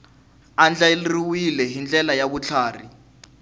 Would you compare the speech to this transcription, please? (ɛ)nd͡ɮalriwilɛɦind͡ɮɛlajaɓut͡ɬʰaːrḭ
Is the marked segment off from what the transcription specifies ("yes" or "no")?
yes